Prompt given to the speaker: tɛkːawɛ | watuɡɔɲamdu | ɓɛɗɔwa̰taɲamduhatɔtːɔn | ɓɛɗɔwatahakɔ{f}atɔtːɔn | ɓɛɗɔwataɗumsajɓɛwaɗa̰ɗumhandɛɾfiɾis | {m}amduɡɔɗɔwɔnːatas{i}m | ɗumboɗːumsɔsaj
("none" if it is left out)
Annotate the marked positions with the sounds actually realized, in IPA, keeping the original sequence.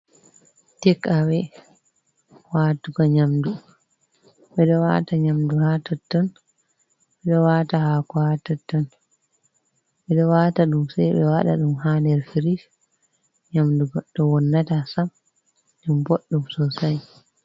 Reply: h, ɲ, a

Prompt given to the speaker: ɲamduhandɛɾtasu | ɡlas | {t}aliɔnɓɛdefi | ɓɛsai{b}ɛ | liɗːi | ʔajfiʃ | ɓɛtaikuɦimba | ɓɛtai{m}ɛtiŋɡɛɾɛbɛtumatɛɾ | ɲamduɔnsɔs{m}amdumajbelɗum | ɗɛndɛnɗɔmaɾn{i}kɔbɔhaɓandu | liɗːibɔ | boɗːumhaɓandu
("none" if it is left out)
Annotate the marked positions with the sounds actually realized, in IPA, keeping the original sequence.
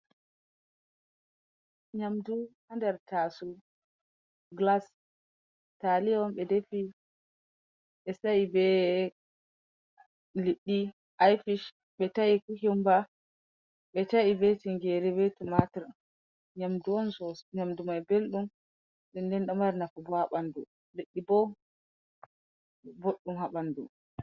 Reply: t, b, b, ɲ, a

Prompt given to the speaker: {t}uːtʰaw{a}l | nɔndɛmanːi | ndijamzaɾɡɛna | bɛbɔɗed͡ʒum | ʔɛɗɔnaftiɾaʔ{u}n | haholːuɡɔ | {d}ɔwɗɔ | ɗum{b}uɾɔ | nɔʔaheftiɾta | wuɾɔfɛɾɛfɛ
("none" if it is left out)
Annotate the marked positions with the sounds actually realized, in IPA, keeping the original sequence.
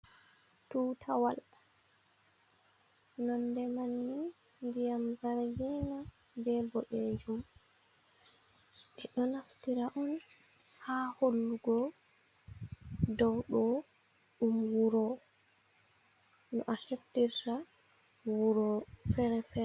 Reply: t, a, ɔ, d, w

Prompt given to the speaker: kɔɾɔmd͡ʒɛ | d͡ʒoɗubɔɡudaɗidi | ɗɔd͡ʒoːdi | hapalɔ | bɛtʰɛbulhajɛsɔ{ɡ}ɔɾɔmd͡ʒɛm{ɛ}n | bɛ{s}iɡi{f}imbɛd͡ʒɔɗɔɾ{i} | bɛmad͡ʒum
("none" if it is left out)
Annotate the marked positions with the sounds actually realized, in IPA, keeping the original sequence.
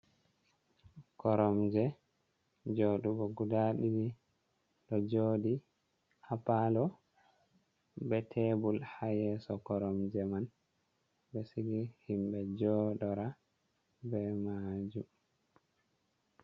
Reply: k, a, s, h, a

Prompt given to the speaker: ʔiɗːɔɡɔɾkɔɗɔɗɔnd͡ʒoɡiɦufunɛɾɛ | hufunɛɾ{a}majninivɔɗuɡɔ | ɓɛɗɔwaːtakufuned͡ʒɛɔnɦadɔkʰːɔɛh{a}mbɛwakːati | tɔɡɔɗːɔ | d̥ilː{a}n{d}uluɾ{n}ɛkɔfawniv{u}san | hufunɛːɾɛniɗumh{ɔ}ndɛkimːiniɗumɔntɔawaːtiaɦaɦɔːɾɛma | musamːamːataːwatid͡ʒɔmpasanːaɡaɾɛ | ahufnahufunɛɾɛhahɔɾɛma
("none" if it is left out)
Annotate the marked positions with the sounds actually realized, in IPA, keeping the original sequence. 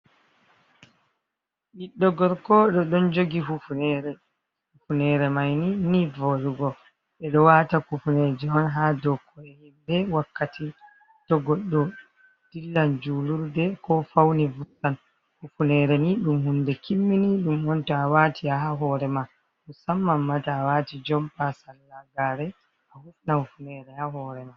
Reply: ɛ, i, a, d͡ʒ, d, u, u

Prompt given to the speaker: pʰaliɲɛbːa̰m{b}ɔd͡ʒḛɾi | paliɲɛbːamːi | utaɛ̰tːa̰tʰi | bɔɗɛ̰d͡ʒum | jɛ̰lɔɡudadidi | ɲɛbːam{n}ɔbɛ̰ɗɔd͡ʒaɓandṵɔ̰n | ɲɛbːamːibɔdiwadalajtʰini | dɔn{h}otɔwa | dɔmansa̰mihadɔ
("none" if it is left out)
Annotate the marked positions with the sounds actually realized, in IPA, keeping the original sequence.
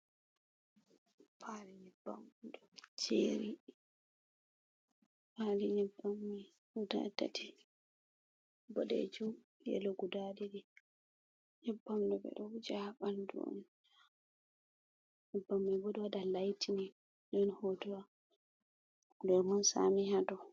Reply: d, d, h

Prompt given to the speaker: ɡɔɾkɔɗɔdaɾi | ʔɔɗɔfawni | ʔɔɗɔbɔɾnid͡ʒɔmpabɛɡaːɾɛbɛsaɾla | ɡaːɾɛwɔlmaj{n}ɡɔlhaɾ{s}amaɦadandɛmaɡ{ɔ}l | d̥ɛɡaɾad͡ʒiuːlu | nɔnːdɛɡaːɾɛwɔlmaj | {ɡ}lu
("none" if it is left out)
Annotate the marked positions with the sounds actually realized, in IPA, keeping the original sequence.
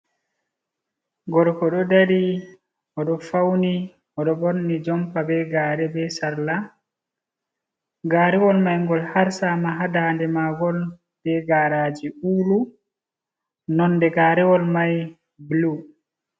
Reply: ŋ, s, ɔ, b

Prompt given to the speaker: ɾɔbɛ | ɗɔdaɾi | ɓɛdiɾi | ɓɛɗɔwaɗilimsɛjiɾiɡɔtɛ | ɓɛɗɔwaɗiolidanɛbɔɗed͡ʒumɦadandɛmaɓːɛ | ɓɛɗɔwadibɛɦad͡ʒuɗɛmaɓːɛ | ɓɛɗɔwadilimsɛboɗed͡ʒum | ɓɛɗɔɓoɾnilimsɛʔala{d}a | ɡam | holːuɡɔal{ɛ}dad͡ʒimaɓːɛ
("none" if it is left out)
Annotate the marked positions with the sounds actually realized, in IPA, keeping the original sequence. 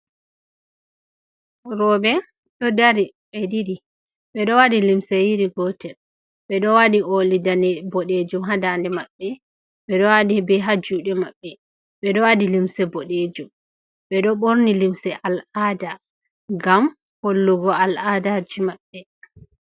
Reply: d, a

